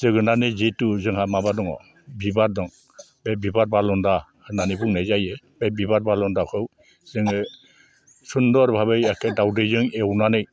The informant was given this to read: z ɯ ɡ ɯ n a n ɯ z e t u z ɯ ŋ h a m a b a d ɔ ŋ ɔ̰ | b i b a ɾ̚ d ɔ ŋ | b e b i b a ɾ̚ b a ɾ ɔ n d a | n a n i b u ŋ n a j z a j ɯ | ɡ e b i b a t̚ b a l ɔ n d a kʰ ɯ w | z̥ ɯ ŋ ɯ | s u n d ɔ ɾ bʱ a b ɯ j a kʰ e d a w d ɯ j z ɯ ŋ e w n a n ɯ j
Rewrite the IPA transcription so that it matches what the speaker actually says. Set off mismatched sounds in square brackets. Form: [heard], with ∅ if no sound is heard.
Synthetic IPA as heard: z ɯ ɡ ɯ n a n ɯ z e t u z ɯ ŋ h a m a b a d ɔ ŋ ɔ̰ | b i b a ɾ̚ d ɔ ŋ | b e b i b a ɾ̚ b a [l] ɔ n d a | n a n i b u ŋ n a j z a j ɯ | [b] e b i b a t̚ b a l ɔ n d a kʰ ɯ w | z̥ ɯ ŋ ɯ | s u n d ɔ ɾ bʱ a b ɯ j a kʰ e d a w d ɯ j z ɯ ŋ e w n a n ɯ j